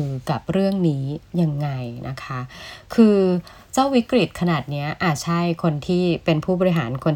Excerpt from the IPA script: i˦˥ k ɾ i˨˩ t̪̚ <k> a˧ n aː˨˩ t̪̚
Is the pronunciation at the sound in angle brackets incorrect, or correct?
incorrect